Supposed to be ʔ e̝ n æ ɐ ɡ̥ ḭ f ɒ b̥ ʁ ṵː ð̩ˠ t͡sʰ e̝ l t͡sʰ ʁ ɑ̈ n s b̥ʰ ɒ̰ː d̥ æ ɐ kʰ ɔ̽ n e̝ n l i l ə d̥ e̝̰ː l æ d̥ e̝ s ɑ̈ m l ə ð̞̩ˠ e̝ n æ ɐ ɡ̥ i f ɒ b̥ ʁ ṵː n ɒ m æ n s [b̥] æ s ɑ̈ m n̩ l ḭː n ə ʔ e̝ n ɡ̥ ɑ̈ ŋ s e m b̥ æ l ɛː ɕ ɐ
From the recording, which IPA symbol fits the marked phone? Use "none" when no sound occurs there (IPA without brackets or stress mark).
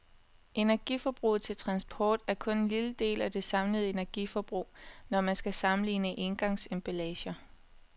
ɡ̥